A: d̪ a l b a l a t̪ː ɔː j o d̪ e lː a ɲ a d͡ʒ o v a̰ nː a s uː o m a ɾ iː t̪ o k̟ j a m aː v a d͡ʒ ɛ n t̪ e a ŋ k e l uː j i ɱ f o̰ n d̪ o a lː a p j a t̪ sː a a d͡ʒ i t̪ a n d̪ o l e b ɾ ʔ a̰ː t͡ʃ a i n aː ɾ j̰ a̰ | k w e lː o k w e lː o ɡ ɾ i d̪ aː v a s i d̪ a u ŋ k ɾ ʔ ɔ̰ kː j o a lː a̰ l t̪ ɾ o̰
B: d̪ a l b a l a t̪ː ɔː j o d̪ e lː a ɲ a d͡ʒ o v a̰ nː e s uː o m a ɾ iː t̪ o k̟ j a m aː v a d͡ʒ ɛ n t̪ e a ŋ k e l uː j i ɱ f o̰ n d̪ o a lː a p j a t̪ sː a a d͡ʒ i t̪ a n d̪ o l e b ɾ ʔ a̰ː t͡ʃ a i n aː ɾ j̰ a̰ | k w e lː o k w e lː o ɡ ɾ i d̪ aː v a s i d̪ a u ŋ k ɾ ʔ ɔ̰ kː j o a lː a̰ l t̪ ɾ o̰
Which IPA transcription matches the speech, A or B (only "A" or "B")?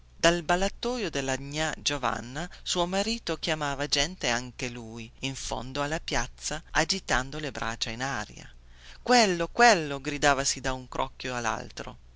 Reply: A